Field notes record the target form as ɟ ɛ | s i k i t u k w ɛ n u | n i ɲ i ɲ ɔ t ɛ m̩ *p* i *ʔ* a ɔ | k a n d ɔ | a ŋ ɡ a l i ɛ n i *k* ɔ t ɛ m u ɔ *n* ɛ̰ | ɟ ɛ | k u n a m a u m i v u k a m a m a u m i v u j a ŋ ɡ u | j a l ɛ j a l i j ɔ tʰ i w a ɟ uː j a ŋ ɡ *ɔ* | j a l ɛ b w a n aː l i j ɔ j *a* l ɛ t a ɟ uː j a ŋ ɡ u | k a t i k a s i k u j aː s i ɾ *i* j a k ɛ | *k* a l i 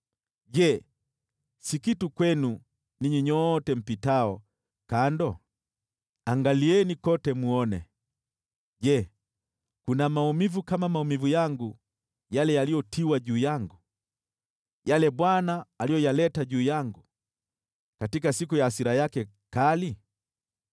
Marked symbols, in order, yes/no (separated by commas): yes, no, yes, yes, no, yes, no, yes